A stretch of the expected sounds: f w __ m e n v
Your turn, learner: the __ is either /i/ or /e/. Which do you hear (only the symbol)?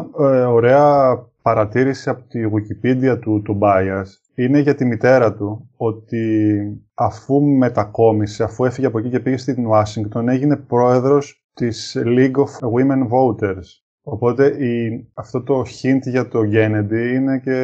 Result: i